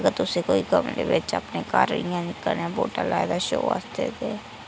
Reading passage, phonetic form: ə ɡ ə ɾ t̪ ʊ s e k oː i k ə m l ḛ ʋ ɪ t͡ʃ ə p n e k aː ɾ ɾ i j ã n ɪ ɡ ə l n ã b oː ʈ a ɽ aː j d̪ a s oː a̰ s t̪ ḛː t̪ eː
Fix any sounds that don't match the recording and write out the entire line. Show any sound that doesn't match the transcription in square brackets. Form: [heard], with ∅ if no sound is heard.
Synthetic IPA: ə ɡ ə ɾ t̪ ʊ s e k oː i k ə m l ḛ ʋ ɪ t͡ʃ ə p n e k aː ɾ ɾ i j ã n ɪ [k] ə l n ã b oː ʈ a [l] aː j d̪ a [ʃ] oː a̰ s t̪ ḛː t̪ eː